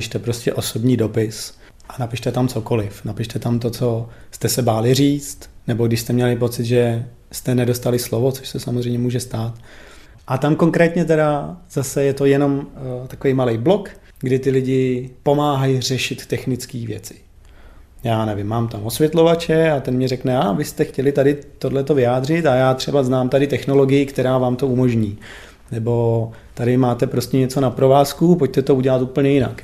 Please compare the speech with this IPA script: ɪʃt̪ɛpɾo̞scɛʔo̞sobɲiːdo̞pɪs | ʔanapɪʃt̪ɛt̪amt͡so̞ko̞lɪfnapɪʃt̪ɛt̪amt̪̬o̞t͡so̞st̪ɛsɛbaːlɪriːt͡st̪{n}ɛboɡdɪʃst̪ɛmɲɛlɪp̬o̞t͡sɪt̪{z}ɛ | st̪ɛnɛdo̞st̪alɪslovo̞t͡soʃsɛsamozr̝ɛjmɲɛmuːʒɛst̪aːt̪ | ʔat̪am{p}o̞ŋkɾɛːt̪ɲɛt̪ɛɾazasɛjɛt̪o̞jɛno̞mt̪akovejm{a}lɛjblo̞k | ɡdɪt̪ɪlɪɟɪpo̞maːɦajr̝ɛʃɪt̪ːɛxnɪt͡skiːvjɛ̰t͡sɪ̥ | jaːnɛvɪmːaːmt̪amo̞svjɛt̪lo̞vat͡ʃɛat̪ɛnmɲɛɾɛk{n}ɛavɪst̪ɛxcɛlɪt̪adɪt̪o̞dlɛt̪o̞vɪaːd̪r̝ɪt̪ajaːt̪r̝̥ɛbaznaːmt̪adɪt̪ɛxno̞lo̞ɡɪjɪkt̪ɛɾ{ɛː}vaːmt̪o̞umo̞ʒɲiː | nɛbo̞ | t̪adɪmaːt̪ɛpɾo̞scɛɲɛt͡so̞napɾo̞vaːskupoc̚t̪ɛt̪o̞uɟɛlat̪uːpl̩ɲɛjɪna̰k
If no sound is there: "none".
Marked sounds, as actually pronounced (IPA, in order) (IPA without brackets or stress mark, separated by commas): n, ʒ, k, a, n, aː